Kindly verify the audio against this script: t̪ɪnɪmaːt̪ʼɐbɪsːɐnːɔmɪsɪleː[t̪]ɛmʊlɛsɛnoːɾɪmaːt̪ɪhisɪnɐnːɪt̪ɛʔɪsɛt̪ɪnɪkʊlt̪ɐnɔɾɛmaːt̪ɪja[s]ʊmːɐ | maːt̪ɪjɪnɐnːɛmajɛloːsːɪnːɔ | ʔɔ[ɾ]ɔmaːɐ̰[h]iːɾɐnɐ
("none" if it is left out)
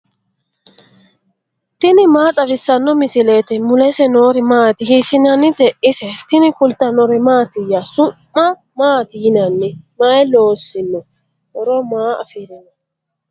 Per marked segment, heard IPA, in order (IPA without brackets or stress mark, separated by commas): t̪, s, ɾ, f